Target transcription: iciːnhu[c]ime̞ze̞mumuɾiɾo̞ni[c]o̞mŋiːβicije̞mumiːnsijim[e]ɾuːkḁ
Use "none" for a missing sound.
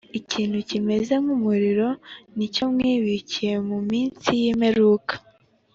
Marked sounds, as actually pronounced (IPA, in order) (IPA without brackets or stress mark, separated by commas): c, c, e